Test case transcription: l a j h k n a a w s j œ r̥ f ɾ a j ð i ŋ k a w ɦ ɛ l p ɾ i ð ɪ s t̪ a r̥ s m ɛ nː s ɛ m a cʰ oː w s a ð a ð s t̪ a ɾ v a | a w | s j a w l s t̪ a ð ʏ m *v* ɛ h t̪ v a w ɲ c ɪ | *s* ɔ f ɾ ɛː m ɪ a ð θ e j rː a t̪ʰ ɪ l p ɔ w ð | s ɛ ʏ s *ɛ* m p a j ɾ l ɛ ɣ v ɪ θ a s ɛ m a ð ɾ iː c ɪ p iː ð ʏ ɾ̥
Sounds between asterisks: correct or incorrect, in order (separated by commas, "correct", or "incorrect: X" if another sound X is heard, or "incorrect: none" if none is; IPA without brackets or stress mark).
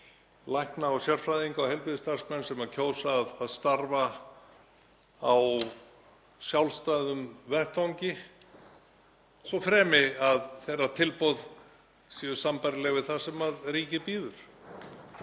correct, correct, incorrect: a